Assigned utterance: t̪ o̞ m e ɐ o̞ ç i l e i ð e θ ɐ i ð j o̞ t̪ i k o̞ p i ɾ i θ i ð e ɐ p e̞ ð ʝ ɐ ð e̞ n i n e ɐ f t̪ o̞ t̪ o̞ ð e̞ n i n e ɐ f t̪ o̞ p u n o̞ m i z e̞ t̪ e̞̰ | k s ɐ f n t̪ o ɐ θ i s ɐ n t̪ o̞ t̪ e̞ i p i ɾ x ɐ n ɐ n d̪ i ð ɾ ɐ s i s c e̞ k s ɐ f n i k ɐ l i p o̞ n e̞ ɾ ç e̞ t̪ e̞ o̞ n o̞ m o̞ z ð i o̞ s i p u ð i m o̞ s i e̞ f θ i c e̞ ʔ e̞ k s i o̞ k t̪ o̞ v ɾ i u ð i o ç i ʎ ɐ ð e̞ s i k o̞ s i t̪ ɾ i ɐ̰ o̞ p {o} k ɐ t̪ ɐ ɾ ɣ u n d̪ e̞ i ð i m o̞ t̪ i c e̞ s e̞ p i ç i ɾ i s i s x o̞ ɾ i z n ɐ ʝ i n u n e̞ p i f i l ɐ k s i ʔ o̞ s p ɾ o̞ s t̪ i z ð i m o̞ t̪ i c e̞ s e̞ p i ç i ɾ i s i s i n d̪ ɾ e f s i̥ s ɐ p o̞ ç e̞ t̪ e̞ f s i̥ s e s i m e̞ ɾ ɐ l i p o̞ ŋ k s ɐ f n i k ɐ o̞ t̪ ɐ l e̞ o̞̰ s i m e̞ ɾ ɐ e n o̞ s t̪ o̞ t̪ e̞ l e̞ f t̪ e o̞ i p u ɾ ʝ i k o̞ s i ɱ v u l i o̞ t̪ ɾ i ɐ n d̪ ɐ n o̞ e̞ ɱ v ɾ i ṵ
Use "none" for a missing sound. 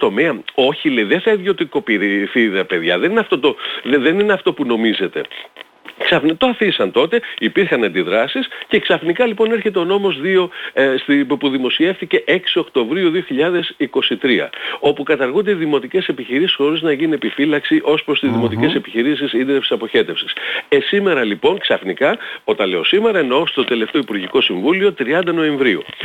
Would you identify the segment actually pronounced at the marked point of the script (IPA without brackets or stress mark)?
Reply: u